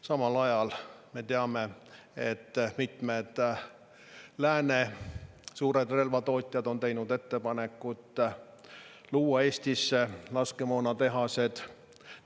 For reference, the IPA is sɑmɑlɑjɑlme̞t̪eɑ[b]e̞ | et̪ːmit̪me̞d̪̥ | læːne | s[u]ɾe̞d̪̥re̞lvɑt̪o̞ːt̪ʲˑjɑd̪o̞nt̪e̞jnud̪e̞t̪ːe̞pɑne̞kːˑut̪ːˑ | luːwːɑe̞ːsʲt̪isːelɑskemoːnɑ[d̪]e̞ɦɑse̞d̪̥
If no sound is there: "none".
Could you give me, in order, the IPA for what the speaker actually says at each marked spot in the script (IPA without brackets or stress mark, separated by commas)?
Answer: m, uː, t̪